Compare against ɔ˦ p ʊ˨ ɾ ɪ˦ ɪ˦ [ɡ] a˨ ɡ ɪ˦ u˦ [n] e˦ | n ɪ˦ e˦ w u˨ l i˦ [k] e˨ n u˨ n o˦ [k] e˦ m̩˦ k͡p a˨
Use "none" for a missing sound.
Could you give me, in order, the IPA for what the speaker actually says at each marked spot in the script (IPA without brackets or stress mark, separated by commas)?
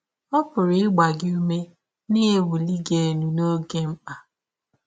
ɡ͡b, m, ɡ, ɡ